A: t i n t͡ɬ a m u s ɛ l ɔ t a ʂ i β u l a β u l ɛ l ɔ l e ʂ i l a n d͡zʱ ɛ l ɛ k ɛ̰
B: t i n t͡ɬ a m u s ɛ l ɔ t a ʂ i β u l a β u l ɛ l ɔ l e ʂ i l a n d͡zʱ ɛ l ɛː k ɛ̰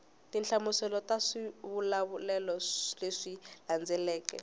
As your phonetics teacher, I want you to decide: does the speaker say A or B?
B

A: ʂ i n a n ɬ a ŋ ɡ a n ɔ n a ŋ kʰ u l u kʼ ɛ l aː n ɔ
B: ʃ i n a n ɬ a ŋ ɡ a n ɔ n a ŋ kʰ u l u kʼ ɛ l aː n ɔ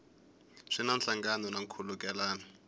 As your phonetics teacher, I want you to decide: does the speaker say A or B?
A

